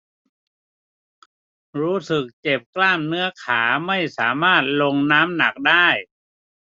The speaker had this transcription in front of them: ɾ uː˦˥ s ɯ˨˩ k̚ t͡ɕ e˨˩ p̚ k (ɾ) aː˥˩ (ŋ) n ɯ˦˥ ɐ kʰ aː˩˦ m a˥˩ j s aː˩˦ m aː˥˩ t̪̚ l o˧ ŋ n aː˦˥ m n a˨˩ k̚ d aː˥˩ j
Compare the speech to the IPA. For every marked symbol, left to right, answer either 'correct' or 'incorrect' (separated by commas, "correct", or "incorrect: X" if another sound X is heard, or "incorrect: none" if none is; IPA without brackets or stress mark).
incorrect: l, incorrect: m